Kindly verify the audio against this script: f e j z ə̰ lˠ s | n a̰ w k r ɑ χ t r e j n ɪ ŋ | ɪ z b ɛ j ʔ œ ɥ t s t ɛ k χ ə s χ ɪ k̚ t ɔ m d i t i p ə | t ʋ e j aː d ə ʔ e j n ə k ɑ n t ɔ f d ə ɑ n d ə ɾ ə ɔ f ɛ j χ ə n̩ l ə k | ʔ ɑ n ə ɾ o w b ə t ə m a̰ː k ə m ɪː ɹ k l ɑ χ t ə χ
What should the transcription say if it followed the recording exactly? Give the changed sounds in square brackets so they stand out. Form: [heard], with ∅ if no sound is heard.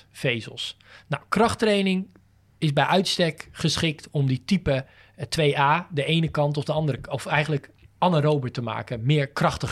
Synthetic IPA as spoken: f e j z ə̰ lˠ s | n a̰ w k r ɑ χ t r e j n ɪ ŋ | ɪ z b ɛ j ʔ œ ɥ t s t ɛ k χ ə s χ ɪ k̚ t ɔ m d i t i p ə | t ʋ e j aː d ə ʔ e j n ə k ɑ n t ɔ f d ə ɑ n d ə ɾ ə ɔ f ɛ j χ ə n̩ l ə k | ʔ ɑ n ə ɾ o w b ə t ə m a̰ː k ə m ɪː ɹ k [r] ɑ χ t ə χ